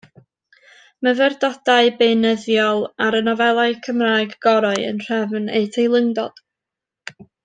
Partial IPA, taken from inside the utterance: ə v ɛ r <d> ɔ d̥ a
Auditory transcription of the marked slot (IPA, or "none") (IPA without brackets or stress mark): d